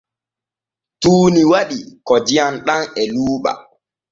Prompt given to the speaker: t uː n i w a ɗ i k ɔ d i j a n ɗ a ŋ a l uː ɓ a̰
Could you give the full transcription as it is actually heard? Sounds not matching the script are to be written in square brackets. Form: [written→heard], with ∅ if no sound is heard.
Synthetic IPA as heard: t uː n i w a ɗ i k ɔ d i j a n ɗ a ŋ [a→ɛ] l uː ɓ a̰